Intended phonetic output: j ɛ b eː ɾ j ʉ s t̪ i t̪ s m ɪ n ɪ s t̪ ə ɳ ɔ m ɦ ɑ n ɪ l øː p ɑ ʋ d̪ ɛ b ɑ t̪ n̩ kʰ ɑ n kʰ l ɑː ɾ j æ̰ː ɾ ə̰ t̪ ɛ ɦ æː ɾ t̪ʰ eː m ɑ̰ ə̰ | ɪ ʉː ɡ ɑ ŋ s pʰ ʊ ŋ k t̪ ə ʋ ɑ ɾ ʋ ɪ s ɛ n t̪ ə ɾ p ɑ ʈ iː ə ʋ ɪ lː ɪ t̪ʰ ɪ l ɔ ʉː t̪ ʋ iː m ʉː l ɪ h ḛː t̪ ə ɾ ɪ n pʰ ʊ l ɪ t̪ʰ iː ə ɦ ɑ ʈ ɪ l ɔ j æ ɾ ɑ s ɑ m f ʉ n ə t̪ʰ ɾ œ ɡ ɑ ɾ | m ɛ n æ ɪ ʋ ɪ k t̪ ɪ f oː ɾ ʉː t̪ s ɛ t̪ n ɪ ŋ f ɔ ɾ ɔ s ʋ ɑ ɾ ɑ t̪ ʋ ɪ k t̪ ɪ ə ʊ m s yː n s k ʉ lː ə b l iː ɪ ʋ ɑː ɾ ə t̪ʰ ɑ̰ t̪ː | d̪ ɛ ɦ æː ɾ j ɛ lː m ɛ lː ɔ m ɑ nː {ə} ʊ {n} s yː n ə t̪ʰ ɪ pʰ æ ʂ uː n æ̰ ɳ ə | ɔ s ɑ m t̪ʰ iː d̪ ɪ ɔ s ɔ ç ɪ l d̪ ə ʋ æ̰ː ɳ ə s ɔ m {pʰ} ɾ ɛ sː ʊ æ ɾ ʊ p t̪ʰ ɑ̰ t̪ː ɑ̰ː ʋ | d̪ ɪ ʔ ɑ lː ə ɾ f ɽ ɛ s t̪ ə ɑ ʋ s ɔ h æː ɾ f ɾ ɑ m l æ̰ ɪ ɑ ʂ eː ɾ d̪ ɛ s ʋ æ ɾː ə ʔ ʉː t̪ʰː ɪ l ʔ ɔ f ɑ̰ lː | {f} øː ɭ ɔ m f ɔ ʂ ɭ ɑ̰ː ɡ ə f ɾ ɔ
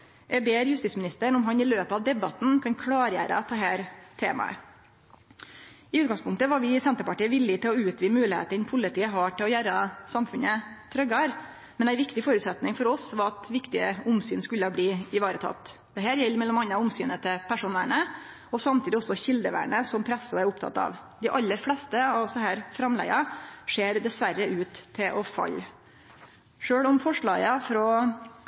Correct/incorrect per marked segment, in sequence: incorrect: ɑ, incorrect: m, correct, incorrect: ʂ

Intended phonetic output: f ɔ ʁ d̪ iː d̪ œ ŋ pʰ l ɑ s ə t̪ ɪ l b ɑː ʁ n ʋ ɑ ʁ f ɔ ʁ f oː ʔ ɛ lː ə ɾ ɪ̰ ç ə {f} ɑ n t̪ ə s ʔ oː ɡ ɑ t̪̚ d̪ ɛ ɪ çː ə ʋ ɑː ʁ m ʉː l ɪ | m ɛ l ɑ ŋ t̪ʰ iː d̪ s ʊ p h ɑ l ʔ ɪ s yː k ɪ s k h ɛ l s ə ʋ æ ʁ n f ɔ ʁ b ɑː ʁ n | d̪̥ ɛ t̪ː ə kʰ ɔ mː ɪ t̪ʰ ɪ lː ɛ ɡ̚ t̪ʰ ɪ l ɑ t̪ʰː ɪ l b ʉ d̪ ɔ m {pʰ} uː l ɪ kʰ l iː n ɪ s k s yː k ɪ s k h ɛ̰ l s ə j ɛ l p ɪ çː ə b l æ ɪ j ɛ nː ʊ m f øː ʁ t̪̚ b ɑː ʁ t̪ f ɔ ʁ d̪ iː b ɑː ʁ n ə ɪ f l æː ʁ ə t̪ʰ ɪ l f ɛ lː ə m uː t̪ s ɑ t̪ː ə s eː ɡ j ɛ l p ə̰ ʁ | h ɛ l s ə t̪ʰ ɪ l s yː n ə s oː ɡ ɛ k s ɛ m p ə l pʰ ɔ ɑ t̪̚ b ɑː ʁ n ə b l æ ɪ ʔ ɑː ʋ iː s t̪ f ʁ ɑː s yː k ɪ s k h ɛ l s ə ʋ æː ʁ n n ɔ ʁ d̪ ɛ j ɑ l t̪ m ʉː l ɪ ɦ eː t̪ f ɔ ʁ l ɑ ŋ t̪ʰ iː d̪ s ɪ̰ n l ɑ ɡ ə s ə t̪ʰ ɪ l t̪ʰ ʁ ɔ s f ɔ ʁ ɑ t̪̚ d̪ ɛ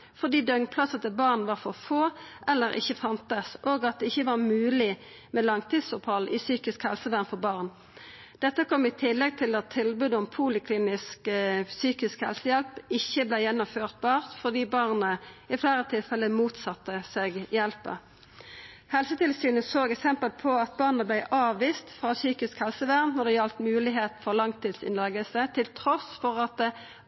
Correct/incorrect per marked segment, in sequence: correct, correct

